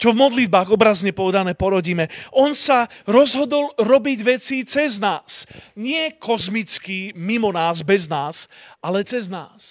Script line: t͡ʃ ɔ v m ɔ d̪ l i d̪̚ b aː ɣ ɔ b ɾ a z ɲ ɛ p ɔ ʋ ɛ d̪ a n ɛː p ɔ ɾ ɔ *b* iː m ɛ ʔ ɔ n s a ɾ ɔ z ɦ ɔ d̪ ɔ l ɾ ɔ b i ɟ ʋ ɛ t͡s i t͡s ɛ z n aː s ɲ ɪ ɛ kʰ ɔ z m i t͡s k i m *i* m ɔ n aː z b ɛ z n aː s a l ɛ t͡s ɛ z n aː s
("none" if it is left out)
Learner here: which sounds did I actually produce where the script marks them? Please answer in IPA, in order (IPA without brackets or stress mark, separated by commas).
ɟ, i